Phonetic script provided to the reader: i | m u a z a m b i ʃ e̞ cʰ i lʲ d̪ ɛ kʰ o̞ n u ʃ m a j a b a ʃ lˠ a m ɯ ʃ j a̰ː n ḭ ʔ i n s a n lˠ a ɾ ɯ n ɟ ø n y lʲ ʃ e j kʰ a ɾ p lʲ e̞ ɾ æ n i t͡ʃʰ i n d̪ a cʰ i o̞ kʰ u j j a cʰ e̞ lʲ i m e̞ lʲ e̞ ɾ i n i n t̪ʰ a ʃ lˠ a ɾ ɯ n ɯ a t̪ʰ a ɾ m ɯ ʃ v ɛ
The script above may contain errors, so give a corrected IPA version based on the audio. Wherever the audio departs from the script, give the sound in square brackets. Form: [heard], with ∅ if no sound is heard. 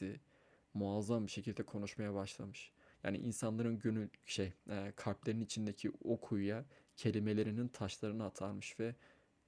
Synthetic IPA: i | m u a z a m b i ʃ e̞ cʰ i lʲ d̪ ɛ kʰ o̞ n u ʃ m a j a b a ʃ lˠ a m ɯ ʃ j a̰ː n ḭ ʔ i n s a n lˠ a ɾ ɯ n ɟ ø n y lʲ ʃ e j kʰ a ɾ p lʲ e̞ ɾ [i] n i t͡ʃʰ i n d̪ [e] cʰ i o̞ kʰ u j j a cʰ e̞ lʲ i m e̞ lʲ e̞ ɾ i n i n t̪ʰ a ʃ lˠ a ɾ ɯ n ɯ a t̪ʰ a ɾ m ɯ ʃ v ɛ